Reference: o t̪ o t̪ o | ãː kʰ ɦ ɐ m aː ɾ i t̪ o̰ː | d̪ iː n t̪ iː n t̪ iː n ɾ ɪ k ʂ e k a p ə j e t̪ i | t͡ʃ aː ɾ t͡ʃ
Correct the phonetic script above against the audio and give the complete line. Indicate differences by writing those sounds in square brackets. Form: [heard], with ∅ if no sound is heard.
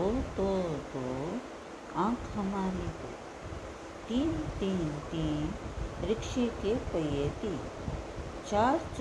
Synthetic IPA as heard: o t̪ o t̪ o | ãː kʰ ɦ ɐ m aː ɾ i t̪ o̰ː | [t̪] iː n t̪ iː n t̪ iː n ɾ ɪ k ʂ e k [e] p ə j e t̪ i | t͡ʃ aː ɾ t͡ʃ